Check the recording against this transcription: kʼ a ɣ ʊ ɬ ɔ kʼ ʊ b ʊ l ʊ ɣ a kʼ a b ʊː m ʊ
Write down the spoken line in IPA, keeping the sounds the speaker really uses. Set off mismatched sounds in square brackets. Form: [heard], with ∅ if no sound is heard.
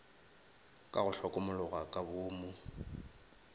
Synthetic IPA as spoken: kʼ a ɣ ʊ ɬ ɔ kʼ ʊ [m] ʊ l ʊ ɣ a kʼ a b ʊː m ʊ

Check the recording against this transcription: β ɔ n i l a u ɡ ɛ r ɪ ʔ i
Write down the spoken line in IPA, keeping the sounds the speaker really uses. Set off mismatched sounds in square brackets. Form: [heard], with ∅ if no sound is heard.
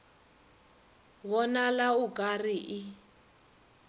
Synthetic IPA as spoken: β ɔ n [a] l a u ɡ [a] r [i] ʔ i

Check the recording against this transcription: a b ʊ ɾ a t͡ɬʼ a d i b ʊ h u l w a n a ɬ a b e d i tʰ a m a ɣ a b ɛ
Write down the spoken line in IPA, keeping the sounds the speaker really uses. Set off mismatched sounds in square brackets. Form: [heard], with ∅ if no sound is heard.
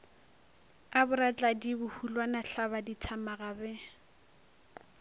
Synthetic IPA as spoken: a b ʊ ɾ a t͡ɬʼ a d i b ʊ h u l w a n a ɬ a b [a] d i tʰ a m a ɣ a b ɛ

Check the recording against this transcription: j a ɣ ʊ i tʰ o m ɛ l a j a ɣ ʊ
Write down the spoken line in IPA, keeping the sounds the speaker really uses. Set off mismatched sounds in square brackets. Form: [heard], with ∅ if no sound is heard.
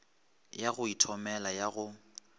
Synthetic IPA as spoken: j a ɣ ʊ i tʰ [ɔ] m ɛ l a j a ɣ ʊ

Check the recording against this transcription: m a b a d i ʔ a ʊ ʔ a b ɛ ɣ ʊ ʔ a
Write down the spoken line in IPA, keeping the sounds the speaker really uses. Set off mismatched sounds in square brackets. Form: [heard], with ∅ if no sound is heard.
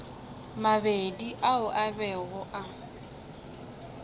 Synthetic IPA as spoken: m a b [e] d i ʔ a ʊ ʔ a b ɛ ɣ ʊ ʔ a

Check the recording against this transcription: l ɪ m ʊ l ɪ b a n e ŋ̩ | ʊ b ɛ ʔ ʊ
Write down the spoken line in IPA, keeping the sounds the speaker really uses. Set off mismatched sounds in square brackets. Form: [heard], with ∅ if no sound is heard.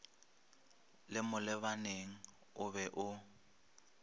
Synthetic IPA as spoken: l ɪ m ʊ l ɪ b a n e ŋ̩ | ʊ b ɛ ʔ ʊ

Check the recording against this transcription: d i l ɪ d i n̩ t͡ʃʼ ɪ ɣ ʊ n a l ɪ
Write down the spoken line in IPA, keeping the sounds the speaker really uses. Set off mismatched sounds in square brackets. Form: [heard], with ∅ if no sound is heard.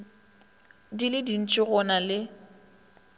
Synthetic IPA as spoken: d i l ɪ d i n̩ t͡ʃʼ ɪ ɣ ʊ n a l ɪ

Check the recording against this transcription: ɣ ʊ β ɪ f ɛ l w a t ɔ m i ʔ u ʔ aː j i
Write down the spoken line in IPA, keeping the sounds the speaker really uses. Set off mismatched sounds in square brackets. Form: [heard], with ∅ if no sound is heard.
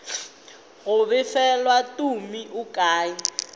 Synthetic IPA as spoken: ɣ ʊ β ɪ f ɛ l w a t [u] m i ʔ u [k] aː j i

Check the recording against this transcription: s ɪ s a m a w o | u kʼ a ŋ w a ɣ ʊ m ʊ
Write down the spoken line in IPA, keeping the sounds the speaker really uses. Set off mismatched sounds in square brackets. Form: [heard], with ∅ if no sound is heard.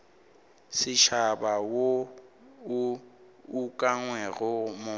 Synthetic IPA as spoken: s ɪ [ʃ] a [b] a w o | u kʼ a ŋ w [ɛ] ɣ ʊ m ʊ

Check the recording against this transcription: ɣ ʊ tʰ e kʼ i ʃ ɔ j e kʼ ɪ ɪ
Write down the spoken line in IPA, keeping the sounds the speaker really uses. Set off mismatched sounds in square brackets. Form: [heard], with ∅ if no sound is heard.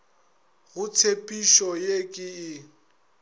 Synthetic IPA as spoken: ɣ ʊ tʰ e [pʼ] i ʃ ɔ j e kʼ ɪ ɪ

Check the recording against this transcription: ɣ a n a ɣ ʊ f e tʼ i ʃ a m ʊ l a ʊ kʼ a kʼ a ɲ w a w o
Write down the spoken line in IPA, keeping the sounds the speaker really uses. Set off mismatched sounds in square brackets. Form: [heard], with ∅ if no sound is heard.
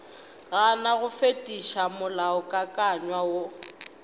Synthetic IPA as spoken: ɣ a n a ɣ ʊ f e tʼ i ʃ a m ʊ l a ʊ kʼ a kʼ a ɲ w a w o

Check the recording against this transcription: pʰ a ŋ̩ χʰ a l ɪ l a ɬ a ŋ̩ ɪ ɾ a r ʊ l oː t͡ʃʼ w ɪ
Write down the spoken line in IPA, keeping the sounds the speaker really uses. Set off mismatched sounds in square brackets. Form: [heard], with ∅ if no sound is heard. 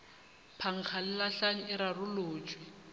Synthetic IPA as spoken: pʰ a ŋ̩ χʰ a l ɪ l a ɬ a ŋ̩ ɪ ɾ a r ʊ l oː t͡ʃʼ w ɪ

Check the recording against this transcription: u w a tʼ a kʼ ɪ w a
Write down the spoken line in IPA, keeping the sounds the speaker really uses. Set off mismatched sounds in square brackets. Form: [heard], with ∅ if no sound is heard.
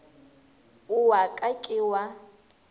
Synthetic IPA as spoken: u w a [kʼ] a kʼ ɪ w a

